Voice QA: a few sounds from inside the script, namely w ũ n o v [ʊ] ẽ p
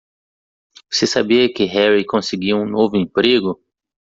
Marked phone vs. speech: correct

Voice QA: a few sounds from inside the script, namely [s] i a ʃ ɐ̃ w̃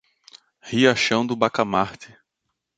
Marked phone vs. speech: incorrect: h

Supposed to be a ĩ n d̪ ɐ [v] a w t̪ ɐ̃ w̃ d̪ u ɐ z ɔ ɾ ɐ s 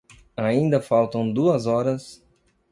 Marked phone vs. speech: incorrect: f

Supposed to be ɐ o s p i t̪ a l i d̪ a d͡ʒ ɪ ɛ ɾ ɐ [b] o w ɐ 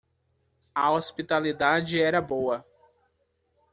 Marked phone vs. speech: correct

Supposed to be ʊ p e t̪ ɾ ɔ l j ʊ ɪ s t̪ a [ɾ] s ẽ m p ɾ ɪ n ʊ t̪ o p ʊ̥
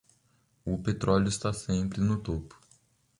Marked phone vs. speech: incorrect: none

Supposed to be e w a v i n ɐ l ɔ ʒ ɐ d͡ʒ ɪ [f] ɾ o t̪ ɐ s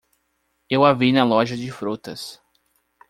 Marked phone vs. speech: correct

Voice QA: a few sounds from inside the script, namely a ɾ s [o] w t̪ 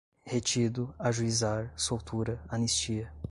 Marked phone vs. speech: correct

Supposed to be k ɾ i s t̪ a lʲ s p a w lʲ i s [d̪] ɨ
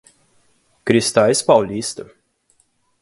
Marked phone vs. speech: incorrect: t̪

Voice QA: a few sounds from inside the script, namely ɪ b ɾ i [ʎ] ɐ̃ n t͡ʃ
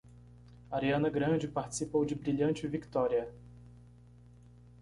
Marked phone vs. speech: correct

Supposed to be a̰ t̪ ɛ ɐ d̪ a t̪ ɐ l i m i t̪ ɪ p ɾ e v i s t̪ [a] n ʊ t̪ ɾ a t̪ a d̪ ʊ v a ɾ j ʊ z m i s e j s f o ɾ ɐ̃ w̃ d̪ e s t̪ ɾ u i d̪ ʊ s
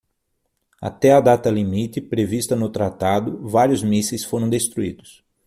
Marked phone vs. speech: incorrect: ɐ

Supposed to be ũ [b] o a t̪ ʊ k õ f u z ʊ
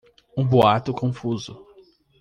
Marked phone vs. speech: correct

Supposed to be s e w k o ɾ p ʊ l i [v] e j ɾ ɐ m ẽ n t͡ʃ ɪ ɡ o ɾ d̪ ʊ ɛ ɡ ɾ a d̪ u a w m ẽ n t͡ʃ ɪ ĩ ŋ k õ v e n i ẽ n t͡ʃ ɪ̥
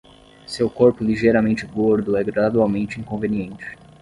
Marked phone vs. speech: incorrect: ʒ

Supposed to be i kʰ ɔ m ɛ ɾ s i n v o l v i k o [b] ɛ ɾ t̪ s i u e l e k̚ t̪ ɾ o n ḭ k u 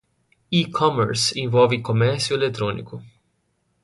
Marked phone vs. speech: incorrect: m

